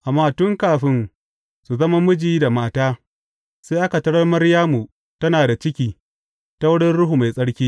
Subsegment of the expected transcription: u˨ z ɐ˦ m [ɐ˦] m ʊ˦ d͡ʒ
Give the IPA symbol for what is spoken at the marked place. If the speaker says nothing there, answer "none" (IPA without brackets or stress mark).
a˦